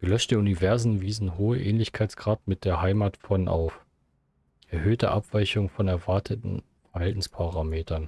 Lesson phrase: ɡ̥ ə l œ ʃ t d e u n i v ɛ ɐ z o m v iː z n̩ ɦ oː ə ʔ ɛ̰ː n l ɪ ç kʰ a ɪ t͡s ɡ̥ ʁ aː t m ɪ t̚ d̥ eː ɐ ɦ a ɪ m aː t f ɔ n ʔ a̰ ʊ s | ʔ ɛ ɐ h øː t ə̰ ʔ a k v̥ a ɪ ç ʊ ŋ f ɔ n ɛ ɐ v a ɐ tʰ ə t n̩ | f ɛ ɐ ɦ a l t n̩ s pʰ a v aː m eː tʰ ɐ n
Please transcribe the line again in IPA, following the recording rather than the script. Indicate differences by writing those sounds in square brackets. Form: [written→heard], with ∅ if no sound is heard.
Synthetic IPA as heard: ɡ̥ ə l œ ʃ t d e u n i v ɛ ɐ z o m v iː z n̩ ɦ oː ə ʔ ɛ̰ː n l ɪ ç kʰ a ɪ t͡s ɡ̥ ʁ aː t m ɪ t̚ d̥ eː ɐ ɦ a ɪ m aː t f ɔ n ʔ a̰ ʊ [s→f] | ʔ ɛ ɐ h øː t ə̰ ʔ a [k→p] v̥ a ɪ ç ʊ ŋ f ɔ n ɛ ɐ v a ɐ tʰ ə t n̩ | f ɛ ɐ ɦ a l t n̩ s pʰ a [v→ʁ] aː m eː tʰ ɐ n